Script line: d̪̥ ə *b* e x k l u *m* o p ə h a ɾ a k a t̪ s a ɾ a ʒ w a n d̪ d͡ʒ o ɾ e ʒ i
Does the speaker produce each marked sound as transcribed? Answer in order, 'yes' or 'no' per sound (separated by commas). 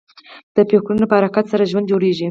no, no